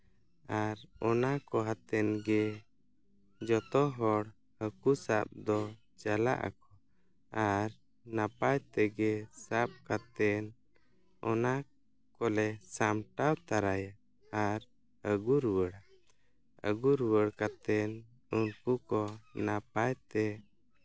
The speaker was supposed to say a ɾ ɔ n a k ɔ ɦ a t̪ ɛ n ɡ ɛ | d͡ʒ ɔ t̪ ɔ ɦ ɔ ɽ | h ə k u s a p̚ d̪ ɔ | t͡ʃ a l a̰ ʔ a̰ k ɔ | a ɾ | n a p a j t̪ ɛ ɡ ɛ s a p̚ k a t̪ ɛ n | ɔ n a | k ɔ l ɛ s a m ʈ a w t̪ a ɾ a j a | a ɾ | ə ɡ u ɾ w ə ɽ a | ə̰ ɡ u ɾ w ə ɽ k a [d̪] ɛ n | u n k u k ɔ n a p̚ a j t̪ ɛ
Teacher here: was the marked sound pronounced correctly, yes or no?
no